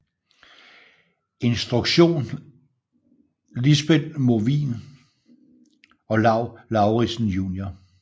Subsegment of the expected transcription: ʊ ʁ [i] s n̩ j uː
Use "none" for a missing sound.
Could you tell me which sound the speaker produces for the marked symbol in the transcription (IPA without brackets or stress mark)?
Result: i